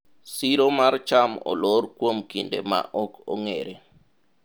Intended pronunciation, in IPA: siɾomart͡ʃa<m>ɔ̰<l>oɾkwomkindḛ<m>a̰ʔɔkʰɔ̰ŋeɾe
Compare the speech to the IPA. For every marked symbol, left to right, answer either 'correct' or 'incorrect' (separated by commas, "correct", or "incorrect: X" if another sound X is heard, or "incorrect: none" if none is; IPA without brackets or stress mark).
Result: correct, correct, correct